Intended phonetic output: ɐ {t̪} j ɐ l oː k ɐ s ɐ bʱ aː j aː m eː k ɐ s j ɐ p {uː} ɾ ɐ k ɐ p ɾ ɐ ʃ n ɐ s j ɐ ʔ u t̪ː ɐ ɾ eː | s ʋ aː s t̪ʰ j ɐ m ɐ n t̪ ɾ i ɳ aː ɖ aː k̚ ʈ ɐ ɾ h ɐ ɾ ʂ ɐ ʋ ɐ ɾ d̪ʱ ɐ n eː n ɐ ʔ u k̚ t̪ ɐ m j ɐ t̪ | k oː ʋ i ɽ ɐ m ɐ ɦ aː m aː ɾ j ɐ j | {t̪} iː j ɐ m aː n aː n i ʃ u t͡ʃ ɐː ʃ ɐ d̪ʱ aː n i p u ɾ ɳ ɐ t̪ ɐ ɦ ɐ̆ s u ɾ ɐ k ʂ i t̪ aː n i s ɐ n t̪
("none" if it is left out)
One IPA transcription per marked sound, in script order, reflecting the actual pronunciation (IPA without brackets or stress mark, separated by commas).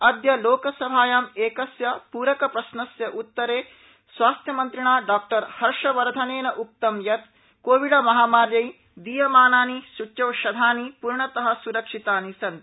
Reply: d̪, uː, d̪